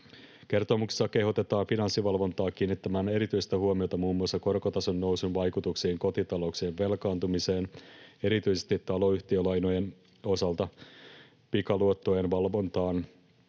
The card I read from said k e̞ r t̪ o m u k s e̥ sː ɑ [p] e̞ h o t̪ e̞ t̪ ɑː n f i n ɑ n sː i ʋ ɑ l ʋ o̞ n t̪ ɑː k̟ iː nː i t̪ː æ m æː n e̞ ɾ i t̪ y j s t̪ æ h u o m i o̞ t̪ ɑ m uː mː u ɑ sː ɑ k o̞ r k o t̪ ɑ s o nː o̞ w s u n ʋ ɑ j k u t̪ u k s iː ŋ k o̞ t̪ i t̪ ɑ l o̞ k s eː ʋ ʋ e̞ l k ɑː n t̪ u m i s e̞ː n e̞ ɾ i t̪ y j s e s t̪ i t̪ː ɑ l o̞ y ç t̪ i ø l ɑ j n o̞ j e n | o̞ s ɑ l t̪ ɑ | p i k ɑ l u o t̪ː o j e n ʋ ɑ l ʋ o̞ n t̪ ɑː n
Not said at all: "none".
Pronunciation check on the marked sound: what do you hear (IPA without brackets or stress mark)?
k